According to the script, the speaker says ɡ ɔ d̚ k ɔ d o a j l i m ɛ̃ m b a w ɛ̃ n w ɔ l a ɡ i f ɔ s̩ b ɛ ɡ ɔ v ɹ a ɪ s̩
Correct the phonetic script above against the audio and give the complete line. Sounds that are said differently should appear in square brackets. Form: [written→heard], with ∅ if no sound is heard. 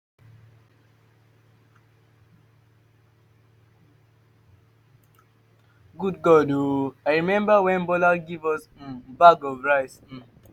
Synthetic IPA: ɡ [ɔ→u] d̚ [k→ɡ] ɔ d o a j [l→ɹ] i m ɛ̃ m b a w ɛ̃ n [w→b] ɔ l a ɡ i [f→v] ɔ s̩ b [ɛ→a] ɡ ɔ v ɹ a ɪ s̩